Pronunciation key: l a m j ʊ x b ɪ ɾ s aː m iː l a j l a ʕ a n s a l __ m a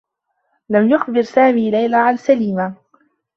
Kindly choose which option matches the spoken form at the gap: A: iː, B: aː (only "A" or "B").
A